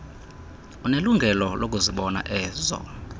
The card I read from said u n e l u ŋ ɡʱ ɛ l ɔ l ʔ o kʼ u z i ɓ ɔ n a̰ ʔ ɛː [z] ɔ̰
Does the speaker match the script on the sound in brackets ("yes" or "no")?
yes